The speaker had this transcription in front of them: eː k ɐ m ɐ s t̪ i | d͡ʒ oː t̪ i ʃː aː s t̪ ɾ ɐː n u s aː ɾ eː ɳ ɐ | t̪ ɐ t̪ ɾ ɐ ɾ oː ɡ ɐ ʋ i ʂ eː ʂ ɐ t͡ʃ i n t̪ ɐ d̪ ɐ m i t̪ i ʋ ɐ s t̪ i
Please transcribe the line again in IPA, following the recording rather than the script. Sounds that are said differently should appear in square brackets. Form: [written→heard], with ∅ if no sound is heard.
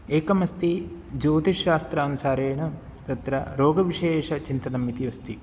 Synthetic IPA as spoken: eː k ɐ m ɐ s t̪ i | d͡ʒ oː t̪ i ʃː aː s t̪ ɾ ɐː n u s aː ɾ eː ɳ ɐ | t̪ ɐ t̪ ɾ ɐ ɾ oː ɡ ɐ ʋ i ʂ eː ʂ ɐ t͡ʃ i n t̪ ɐ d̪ ɐ m i t̪ i ʋ ɐ s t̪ i